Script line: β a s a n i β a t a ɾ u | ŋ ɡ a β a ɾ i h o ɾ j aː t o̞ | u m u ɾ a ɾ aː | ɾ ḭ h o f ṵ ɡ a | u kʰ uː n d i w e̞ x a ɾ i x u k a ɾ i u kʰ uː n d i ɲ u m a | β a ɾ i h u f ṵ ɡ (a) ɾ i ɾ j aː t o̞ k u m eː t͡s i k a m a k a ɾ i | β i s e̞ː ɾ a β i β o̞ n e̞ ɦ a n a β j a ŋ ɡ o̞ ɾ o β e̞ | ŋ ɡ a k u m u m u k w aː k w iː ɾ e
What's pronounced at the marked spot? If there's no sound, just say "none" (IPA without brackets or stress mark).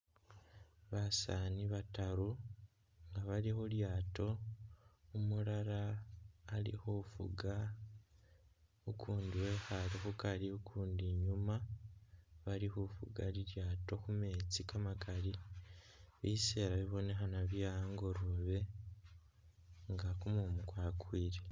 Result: a